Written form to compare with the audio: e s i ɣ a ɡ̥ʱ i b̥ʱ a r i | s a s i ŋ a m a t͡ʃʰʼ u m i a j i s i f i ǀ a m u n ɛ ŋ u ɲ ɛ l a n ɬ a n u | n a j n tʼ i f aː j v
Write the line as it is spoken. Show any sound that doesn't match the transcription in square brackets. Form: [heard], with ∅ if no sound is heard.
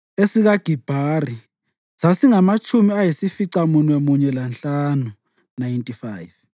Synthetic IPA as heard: e s i ɣ a ɡ̥ʱ i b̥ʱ a r i | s a s i ŋ a m a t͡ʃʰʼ u m i a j i s i f i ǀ a m u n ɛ [m] u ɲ ɛ l a n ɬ a n u | n a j n tʼ i f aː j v